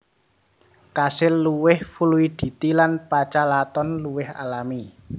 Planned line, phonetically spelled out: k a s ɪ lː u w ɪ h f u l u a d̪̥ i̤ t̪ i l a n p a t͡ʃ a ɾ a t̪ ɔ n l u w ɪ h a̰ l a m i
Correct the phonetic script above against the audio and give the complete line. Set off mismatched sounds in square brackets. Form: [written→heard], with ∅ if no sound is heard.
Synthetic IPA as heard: k a s ɪ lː u w ɪ h f u l u [a→i] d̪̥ i̤ t̪ i l a n p a t͡ʃ a [ɾ→l] a t̪ ɔ n l u w ɪ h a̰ l a m i

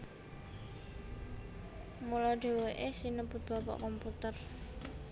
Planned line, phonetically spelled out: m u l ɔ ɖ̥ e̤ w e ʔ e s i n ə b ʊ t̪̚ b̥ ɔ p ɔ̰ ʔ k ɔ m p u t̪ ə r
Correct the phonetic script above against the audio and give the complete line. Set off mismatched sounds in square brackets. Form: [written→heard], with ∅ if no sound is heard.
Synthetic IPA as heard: m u l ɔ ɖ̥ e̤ w e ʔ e s i n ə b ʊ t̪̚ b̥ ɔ p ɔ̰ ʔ k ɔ m p u t̪ ə r

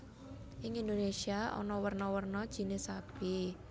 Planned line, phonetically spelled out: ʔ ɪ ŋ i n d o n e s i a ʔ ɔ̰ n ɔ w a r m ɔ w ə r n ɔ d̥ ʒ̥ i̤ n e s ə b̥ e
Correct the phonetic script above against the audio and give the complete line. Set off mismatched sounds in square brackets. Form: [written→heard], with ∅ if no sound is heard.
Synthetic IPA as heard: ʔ ɪ ŋ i n d o n e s i a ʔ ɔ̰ n ɔ w [a→ə] r [m→n] ɔ w ə r n ɔ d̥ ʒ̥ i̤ n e s [ə→a] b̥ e

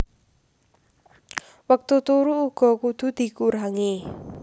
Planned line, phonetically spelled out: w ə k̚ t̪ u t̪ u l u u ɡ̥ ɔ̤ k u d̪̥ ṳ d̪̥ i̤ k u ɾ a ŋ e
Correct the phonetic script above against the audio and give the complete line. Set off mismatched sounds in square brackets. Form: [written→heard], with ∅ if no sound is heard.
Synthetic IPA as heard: w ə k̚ t̪ u t̪ u [l→ɾ] u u ɡ̥ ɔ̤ k u d̪̥ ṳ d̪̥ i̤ k u ɾ a ŋ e

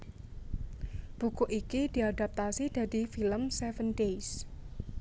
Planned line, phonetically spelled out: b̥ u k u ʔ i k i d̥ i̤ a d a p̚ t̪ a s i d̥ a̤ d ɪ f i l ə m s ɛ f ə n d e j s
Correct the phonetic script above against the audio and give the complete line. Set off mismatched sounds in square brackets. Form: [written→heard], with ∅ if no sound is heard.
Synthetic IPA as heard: b̥ u k u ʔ i k i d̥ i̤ a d a p̚ t̪ a s i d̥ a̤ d [ɪ→i] f i l ə m s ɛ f ə n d e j s

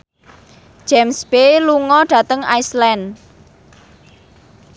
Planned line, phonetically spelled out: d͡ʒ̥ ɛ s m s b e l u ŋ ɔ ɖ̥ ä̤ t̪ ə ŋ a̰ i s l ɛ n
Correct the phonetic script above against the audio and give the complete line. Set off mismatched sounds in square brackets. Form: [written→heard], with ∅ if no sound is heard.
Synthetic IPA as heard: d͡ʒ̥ ɛ [s→∅] m s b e l u ŋ ɔ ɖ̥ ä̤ t̪ ə ŋ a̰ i s l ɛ n

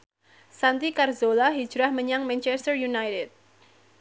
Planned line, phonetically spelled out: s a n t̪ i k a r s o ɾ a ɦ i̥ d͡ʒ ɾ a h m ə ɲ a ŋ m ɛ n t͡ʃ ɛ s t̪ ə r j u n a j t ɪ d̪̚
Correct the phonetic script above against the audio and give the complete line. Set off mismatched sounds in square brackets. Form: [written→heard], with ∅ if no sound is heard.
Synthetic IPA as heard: s a n t̪ i k a r [s→z] o [ɾ→l] a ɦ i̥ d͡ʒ ɾ a h m ə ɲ a ŋ m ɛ n t͡ʃ ɛ s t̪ ə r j u n a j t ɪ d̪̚

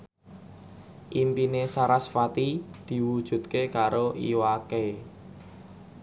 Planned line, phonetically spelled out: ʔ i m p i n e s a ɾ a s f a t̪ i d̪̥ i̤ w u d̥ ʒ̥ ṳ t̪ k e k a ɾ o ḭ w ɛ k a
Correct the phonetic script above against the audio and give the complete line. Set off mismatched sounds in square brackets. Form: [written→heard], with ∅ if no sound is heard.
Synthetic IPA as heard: ʔ i m p i n e s a ɾ a s f a t̪ i d̪̥ i̤ w u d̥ ʒ̥ ṳ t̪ k e k a ɾ o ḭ w [ɛ→a] k [a→e]

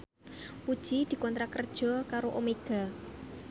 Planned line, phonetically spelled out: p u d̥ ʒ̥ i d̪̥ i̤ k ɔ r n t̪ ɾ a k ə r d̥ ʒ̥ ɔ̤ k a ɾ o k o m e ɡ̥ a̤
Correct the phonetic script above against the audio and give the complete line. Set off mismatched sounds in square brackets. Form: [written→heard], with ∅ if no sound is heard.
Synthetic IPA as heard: p u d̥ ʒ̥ i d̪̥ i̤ k ɔ [r→∅] n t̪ ɾ a k ə r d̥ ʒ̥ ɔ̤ k a ɾ o [k→ʔ] o m e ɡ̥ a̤

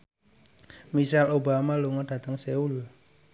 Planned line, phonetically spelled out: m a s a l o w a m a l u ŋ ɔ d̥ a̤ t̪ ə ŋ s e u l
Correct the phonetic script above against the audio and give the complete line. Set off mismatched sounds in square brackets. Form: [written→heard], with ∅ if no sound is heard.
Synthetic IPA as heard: m [a→i] s a l o [w→b] a m a l u ŋ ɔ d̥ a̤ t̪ ə ŋ s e u l

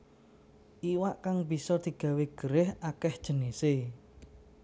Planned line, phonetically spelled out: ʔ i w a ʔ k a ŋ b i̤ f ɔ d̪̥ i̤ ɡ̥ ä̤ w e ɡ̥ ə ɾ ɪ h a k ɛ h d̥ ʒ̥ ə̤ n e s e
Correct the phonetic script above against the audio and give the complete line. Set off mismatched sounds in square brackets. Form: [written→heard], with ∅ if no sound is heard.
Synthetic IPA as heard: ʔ i w a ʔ k a ŋ b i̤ [f→s] ɔ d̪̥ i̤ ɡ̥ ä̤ w e ɡ̥ ə ɾ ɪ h a k ɛ h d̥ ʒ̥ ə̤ n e s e

